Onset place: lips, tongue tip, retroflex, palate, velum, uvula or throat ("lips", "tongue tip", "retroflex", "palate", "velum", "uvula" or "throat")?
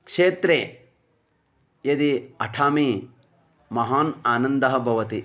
velum